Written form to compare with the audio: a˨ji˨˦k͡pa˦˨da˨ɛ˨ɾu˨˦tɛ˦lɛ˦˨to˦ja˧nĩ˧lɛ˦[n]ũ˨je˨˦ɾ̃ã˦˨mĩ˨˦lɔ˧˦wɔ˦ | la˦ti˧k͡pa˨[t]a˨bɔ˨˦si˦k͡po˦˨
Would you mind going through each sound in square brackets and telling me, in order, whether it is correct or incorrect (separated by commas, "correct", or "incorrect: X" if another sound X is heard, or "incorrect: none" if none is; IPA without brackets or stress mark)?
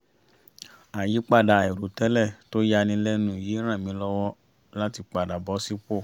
correct, incorrect: d